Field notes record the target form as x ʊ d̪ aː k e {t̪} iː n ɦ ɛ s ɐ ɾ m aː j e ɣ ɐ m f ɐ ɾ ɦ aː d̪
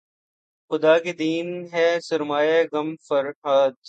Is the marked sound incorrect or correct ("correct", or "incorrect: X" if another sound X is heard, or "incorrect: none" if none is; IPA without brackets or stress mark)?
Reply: incorrect: d̪